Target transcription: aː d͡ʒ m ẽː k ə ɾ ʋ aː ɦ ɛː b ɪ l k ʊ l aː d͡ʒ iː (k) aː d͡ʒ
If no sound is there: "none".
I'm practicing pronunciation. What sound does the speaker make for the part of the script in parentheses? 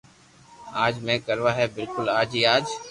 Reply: none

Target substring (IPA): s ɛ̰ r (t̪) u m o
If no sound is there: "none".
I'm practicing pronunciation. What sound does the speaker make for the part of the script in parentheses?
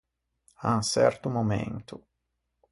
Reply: t̪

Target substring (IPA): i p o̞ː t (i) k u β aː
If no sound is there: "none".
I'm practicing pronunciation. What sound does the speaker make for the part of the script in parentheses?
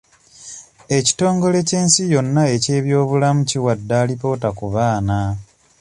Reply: a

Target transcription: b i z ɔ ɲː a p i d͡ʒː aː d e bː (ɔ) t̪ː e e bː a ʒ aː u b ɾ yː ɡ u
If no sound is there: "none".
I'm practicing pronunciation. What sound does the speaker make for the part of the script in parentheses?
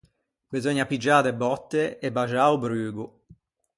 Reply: ɔ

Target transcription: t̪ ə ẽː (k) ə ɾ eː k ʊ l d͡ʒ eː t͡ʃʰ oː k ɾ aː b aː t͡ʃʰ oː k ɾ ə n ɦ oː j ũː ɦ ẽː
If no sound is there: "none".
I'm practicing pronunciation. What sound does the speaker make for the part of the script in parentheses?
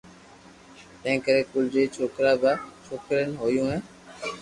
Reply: k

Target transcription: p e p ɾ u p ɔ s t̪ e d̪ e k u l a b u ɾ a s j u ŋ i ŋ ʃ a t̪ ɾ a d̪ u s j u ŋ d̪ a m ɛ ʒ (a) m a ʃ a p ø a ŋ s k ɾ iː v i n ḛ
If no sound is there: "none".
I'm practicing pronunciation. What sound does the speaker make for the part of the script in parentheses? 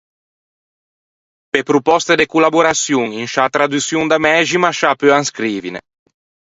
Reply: i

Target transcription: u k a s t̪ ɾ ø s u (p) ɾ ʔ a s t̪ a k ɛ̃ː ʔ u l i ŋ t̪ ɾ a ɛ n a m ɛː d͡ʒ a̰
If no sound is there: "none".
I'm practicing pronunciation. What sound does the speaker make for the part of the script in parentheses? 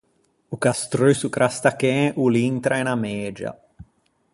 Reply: k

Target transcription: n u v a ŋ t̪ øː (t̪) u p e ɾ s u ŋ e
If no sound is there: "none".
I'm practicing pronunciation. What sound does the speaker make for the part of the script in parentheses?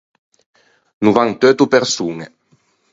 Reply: t̪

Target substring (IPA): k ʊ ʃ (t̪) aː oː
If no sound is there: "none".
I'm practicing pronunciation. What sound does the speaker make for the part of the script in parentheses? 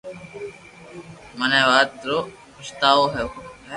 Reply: t̪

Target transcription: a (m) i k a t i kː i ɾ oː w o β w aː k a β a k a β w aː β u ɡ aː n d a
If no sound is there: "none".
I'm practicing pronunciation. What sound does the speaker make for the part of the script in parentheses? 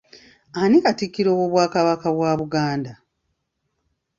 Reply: n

